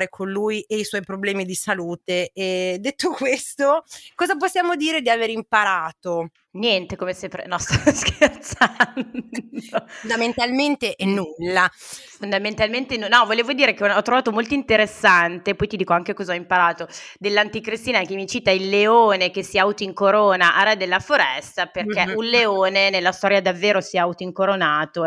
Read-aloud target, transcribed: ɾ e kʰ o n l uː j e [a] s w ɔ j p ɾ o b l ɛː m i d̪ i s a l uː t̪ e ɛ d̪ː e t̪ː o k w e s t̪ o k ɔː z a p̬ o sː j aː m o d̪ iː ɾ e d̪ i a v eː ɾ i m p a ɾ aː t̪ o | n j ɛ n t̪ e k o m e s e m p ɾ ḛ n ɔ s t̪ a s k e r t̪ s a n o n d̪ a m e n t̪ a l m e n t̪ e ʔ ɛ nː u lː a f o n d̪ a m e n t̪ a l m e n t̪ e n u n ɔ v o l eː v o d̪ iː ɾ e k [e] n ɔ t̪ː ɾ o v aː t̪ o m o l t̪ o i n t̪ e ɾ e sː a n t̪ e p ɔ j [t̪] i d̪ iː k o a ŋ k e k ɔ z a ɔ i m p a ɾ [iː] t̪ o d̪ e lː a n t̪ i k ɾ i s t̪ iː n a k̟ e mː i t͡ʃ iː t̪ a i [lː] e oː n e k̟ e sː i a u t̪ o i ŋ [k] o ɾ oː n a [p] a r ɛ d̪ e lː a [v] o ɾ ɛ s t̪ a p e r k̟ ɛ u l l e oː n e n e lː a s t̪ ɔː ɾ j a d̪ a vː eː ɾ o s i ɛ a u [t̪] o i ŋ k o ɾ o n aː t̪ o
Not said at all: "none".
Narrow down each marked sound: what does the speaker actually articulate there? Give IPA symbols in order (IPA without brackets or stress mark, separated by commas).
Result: i, e, t̪, aː, lː, k, ʔ, f, t̪